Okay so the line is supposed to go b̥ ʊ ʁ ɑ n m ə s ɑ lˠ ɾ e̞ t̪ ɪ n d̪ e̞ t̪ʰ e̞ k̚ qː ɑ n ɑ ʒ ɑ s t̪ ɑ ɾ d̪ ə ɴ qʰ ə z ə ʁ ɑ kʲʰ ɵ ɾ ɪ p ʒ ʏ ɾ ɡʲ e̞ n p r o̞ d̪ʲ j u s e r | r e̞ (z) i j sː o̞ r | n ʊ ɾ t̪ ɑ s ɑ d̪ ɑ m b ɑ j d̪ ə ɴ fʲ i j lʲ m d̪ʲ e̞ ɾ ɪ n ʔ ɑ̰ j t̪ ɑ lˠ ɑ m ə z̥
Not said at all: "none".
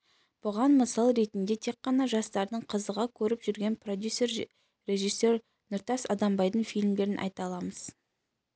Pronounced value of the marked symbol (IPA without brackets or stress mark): ʒ